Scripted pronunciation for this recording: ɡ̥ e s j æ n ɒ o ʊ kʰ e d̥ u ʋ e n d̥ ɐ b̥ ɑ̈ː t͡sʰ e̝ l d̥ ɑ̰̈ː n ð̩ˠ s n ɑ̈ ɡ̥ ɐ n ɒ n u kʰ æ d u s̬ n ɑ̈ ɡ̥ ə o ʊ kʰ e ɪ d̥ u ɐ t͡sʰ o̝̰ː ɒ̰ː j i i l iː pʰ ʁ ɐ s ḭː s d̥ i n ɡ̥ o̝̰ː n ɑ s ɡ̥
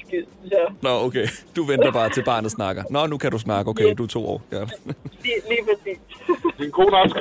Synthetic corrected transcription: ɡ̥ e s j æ n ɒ o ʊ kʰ e d̥ u ʋ e n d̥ ɐ b̥ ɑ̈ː t͡sʰ e̝ l b̥ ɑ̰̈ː n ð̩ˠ s n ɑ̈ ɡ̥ ɐ n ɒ n u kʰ æ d u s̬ n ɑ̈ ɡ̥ ə o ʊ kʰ e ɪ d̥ u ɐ t͡sʰ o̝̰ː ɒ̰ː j æ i l iː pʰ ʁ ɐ s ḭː s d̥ i n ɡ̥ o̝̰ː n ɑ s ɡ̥